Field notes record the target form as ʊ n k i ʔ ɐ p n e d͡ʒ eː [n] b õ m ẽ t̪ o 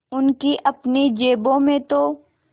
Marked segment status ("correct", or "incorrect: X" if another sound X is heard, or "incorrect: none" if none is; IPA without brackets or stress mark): incorrect: none